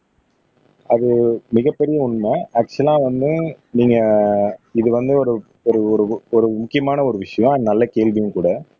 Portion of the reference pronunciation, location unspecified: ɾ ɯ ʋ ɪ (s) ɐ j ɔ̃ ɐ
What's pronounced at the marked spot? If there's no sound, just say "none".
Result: ʂ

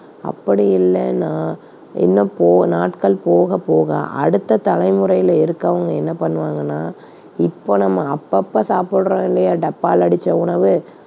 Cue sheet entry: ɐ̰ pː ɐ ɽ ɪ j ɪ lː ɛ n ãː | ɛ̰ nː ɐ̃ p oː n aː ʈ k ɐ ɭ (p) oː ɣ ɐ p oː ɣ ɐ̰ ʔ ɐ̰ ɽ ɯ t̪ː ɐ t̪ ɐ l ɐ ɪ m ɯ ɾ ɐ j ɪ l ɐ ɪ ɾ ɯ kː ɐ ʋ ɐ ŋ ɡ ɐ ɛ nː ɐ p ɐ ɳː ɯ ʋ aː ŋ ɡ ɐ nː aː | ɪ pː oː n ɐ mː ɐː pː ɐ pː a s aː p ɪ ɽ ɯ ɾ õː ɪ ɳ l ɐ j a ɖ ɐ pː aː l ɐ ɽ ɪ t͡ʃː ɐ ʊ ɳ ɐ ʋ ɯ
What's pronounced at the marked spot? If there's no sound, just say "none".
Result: p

